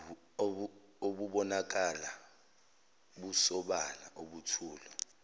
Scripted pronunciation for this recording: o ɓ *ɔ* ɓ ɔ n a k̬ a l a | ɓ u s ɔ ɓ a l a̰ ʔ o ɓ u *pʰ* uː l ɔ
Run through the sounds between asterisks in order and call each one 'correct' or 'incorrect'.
incorrect: u, incorrect: tʰ

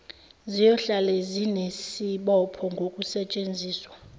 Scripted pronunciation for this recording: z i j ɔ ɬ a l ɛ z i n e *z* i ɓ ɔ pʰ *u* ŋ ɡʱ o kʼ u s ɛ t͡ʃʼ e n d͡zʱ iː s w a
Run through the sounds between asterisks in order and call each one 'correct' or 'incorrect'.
incorrect: s, incorrect: ɔ

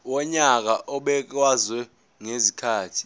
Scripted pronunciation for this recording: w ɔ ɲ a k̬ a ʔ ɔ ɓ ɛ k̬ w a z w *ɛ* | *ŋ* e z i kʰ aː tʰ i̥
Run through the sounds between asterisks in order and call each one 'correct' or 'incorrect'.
correct, correct

